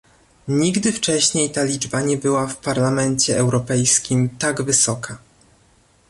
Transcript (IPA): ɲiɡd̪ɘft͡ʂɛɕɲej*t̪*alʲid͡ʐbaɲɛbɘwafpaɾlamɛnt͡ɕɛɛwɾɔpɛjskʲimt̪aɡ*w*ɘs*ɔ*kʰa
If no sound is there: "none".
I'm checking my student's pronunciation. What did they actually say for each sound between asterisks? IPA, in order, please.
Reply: t̪, v, ɔ

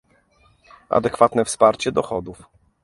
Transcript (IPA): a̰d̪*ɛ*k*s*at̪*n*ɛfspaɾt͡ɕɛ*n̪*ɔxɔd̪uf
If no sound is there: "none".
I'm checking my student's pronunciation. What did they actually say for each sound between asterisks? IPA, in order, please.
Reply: ɛ, f, n, d̪

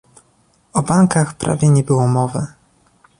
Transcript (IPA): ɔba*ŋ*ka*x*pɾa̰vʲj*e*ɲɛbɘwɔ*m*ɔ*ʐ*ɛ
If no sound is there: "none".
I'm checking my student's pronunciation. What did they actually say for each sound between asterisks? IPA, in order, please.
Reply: ŋ, x, ɛ, m, v

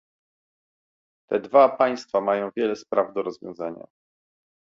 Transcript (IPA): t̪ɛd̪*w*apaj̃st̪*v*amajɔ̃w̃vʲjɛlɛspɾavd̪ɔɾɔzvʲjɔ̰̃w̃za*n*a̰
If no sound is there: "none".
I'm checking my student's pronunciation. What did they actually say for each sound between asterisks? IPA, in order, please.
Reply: v, f, ɲ

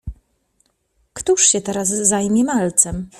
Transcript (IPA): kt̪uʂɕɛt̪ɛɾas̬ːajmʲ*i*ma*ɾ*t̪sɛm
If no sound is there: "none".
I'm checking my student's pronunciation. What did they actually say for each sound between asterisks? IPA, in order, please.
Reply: ɛ, l

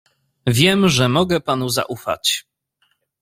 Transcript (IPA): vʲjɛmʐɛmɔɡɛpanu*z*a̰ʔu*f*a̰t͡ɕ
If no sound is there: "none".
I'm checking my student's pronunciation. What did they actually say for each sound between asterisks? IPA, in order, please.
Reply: z, f

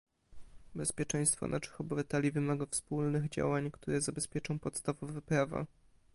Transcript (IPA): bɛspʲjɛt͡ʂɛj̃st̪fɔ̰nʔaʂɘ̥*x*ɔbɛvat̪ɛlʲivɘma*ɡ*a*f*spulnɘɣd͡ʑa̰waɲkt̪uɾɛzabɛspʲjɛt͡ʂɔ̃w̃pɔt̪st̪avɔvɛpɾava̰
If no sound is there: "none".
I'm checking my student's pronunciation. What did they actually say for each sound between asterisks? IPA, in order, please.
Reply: x, ɡ, f

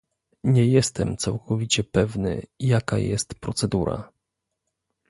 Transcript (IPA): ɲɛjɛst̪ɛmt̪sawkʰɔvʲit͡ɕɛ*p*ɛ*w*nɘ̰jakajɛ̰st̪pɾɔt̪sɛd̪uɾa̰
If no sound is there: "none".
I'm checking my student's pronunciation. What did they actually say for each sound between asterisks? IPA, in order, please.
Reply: p, v

